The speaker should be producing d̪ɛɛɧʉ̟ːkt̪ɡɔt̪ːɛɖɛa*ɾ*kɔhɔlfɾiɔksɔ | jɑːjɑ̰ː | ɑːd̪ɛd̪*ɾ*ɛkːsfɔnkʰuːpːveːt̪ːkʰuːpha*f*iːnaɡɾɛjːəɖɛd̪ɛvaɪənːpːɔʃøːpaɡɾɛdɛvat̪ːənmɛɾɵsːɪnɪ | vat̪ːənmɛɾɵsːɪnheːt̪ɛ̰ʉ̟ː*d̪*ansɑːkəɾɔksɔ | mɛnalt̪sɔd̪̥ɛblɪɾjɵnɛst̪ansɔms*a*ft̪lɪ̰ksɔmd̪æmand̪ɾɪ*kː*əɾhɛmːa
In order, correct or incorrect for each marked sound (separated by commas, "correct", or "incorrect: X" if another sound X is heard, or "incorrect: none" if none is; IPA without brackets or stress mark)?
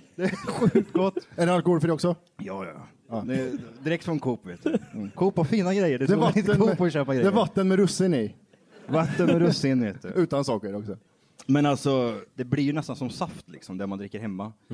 incorrect: l, correct, correct, incorrect: t̪, correct, correct